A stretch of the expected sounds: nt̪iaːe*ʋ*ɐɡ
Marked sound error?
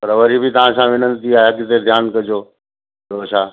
yes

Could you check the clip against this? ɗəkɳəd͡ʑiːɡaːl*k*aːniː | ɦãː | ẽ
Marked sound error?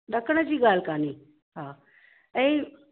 no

